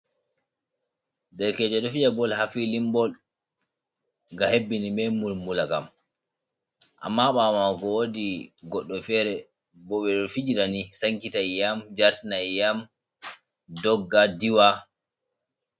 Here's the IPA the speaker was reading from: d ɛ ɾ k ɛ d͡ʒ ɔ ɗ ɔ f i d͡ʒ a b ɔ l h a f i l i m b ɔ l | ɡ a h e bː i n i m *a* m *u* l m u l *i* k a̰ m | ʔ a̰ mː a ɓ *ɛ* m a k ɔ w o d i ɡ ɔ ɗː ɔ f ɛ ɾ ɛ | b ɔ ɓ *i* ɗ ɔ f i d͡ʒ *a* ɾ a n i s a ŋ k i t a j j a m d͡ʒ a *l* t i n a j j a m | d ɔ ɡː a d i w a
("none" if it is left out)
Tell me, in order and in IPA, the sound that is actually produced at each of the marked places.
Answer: ɛ, u, a, a, ɛ, i, ɾ

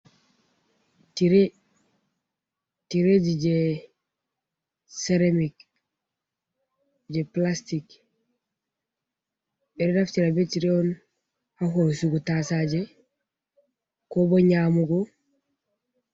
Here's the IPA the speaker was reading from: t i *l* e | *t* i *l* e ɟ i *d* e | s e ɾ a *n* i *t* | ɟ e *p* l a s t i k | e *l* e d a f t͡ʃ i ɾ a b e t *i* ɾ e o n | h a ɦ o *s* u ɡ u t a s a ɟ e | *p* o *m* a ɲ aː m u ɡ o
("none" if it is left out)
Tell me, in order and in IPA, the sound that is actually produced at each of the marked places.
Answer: ɾ, t, ɾ, ɟ, m, k, p, ɾ, i, s, k, b

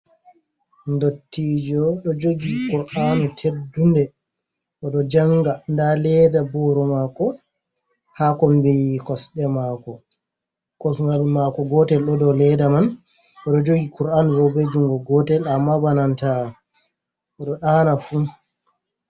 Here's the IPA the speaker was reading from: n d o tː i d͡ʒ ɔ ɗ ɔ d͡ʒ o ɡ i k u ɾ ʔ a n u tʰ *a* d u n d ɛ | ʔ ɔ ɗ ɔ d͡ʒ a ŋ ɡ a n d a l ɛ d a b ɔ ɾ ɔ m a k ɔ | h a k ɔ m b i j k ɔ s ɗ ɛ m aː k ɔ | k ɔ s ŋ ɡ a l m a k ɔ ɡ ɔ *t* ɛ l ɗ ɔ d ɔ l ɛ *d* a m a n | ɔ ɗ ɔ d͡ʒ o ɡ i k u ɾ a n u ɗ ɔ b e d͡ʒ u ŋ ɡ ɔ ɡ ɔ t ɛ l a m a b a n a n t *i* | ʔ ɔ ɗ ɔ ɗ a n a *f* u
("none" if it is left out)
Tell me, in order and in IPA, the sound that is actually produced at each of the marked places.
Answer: e, t, d, a, f

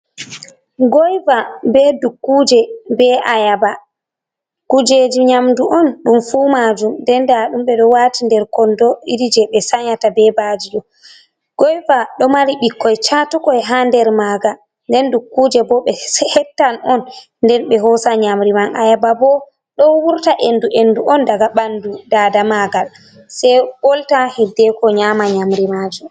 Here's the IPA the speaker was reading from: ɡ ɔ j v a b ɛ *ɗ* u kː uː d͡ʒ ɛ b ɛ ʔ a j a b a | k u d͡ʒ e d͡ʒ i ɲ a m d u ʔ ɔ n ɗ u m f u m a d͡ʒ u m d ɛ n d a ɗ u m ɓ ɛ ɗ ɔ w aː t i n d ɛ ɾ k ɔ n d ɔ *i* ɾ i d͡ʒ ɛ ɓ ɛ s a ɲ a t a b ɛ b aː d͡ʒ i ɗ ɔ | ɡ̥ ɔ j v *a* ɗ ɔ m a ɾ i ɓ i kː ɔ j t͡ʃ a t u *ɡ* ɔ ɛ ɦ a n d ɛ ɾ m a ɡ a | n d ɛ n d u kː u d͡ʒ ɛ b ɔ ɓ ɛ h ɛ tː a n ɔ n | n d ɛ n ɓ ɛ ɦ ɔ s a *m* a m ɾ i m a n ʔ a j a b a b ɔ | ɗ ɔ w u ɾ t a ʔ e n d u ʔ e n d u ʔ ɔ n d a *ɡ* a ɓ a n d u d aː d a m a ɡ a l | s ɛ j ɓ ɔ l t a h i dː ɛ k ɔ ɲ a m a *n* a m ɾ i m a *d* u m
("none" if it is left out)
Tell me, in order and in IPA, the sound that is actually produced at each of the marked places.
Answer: d, i, a, k, ɲ, ɡ, ɲ, d͡ʒ

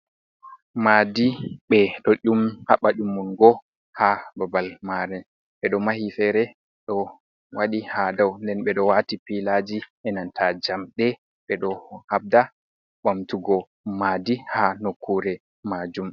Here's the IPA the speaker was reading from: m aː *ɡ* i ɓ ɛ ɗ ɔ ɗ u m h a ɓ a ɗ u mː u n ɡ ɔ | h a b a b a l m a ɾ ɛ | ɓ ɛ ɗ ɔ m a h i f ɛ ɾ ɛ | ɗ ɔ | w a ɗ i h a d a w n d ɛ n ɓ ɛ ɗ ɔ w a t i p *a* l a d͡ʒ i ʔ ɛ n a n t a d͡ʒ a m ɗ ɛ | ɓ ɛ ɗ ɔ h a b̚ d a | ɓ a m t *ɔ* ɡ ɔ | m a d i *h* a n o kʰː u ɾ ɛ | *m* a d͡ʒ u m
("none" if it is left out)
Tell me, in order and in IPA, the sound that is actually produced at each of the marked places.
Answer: d, i, u, h, m

